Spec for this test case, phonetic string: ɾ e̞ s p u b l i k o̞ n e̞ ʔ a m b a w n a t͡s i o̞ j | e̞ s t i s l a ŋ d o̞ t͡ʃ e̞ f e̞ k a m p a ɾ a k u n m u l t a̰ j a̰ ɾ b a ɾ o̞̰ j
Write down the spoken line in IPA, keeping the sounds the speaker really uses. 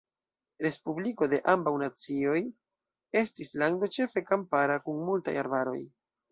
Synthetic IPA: ɾ e̞ s p u b l i k o̞ d e̞ ʔ a m b a w n a t͡s i o̞ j | e̞ s t i s l a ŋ d o̞ t͡ʃ e̞ f e̞ k a m p a ɾ a k u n m u l t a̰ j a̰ ɾ b a ɾ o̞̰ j

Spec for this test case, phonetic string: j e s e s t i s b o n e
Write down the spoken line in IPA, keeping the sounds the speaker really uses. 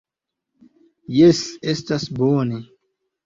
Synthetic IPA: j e s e s t a s b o n e

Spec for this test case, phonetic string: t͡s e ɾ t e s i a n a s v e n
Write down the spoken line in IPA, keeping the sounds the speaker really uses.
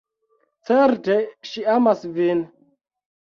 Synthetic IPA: t͡s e ɾ t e ʃ i a m a s v i n

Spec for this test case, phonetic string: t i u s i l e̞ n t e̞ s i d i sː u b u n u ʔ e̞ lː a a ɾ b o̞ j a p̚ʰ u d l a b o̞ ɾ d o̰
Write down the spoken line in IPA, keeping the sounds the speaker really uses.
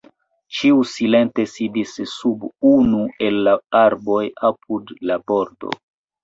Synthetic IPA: t͡ʃ i u s i l e̞ n t e̞ s i d i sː u b u n u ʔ e̞ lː a a ɾ b o̞ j a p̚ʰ u d l a b o̞ ɾ d o̰

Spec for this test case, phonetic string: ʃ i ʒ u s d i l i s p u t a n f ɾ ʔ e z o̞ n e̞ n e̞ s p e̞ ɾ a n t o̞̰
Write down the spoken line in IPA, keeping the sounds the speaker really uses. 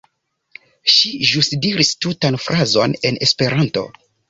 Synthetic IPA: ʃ i ʒ u s d i ɾ i s t u t a n f ɾ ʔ a z o̞ n e̞ n e̞ s p e̞ ɾ a n t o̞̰

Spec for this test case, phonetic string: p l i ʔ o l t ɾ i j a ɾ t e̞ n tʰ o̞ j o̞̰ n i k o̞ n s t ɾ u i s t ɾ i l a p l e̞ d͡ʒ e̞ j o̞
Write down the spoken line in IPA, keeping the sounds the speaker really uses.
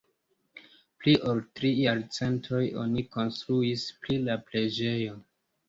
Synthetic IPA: p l i ʔ o l t ɾ i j a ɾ t͡s e̞ n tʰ o̞ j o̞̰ n i k o̞ n s t ɾ u i s p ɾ i l a p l e̞ d͡ʒ e̞ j o̞

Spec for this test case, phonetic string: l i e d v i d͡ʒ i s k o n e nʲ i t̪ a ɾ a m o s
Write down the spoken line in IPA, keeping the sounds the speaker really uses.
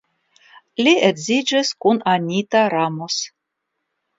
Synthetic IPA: l i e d z i d͡ʒ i s k u n a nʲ i t̪ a ɾ a m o s

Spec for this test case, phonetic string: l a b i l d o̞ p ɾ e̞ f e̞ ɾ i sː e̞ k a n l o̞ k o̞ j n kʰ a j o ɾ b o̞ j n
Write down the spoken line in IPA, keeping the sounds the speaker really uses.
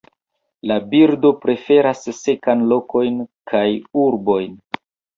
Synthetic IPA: l a b i ɾ d o̞ p ɾ e̞ f e̞ ɾ a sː e̞ k a n l o̞ k o̞ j n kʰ a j u ɾ b o̞ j n

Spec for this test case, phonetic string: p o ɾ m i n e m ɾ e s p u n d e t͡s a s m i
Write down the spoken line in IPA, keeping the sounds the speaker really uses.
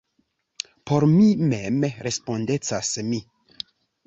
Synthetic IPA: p o ɾ m i m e m ɾ e s p o n d e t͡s a s m i

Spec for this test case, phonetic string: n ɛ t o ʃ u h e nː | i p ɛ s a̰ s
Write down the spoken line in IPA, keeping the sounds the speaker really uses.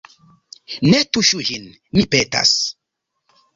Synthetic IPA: n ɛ t u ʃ u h i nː | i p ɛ t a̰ s

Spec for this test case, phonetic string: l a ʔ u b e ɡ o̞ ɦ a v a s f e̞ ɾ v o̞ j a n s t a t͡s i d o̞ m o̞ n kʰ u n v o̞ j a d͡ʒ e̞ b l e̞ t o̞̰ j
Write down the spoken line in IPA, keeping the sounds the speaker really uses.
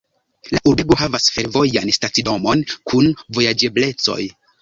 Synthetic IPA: l a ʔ u b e ɡ o̞ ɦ a v a s f e̞ ɾ v o̞ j a n s t a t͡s i d o̞ m o̞ n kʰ u n v o̞ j a d͡ʒ e̞ b l e̞ t͡s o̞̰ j

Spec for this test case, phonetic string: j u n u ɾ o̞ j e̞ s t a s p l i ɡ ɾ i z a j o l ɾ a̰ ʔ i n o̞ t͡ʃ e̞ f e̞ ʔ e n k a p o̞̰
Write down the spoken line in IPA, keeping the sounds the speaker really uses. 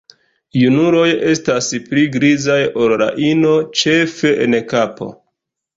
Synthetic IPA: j u n u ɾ o̞ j e̞ s t a s p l i ɡ ɾ i z a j o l ɾ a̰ ʔ i n o̞ t͡ʃ e̞ f e̞ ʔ e n k a p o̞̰

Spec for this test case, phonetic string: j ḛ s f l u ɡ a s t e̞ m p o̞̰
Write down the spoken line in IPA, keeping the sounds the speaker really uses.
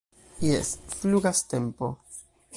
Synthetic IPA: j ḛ s f l u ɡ a s t e̞ m p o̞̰

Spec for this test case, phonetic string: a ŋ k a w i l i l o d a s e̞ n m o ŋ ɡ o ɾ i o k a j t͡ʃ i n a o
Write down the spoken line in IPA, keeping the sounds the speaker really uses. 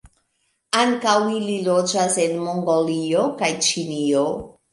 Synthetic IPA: a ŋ k a w i l i l o d͡ʒ a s e̞ n m o ŋ ɡ o l i o k a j t͡ʃ i n i o

